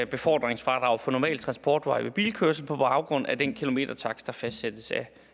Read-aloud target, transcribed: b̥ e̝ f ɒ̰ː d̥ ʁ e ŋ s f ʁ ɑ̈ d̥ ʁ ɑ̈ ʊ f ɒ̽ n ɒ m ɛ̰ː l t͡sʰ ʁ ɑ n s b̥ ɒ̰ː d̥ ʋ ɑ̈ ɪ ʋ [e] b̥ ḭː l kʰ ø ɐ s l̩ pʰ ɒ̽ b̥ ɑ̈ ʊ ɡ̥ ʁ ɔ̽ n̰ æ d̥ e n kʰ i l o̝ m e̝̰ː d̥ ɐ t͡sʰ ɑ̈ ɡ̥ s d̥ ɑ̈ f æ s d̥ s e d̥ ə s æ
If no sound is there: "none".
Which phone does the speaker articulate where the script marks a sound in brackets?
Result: e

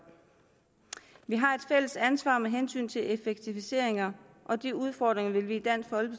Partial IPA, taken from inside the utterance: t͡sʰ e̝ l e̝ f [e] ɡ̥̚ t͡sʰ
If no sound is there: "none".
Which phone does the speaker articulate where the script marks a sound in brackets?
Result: e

